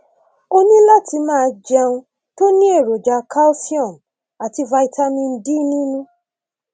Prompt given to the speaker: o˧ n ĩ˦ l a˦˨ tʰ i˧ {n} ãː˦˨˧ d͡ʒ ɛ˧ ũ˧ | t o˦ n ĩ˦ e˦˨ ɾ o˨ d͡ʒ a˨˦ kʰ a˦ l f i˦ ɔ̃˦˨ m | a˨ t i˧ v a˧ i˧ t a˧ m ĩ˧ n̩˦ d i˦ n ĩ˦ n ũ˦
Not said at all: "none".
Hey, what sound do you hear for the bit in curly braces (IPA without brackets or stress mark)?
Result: m